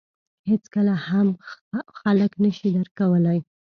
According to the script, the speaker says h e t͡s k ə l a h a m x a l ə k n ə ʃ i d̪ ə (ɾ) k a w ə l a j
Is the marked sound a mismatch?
no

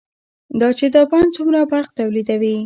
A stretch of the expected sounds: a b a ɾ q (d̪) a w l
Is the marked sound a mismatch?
yes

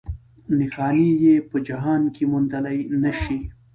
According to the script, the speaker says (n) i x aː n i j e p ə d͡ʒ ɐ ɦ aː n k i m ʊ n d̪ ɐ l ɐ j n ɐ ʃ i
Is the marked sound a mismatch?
no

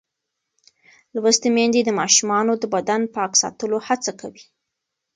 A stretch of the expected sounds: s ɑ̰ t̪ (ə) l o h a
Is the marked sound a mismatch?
no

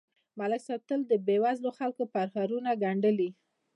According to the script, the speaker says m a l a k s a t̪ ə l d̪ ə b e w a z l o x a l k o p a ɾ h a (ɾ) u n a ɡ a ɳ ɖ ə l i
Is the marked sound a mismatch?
no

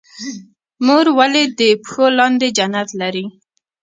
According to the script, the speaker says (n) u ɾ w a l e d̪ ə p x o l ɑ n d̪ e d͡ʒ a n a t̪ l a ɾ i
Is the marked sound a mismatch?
yes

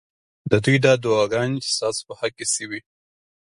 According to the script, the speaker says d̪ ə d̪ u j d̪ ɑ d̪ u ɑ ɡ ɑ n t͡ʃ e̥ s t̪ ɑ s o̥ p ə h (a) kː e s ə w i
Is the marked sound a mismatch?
no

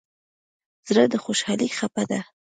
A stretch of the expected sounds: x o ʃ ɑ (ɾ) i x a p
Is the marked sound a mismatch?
yes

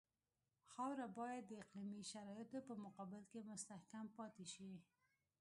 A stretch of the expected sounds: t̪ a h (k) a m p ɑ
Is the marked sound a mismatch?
no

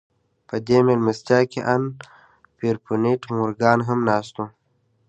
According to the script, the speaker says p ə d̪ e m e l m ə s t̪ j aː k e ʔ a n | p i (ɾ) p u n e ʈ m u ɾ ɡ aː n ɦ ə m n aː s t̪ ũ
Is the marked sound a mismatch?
no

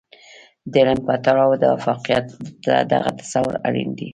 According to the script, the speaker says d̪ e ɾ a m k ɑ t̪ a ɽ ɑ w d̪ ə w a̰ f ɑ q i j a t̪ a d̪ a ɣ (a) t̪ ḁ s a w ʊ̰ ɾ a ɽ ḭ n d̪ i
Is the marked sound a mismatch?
no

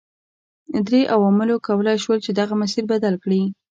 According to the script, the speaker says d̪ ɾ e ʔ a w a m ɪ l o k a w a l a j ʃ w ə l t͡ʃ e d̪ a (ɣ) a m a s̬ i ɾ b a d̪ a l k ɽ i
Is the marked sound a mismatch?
no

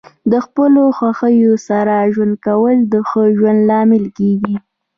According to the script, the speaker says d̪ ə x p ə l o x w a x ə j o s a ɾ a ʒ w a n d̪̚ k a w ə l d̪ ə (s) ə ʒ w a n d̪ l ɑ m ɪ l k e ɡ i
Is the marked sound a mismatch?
yes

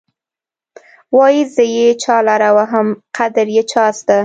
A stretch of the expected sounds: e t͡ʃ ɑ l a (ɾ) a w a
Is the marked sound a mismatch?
no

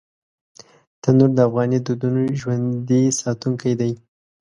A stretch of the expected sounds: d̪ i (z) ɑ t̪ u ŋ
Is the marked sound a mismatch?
yes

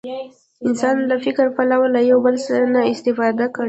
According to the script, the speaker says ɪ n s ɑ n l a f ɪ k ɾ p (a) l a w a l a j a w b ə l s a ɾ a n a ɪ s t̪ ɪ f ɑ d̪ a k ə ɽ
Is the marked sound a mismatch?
no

